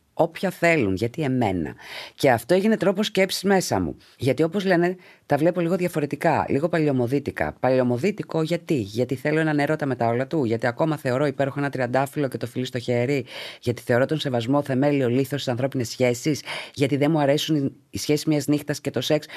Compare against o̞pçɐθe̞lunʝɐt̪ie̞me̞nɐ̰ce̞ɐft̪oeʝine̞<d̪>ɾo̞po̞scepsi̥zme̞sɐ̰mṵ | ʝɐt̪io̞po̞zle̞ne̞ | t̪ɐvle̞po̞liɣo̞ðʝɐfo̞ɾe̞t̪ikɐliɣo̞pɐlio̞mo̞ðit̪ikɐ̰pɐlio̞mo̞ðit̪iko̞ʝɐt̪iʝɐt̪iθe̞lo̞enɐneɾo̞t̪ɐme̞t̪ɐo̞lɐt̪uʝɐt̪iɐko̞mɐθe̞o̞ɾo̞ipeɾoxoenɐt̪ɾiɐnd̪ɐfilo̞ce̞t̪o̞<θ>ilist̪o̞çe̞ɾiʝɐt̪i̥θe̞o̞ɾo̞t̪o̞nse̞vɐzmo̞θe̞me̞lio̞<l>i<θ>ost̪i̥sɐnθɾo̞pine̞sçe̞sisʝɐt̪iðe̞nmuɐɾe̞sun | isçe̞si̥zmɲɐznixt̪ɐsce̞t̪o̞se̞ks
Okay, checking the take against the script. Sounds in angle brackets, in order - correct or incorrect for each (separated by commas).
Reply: incorrect, incorrect, correct, correct